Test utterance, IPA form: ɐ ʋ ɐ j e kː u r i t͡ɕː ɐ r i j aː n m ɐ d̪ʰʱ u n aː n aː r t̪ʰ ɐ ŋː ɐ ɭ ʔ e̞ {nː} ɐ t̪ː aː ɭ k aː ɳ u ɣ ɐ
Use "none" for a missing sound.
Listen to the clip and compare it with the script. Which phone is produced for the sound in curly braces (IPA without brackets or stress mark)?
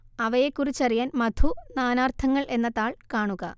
nː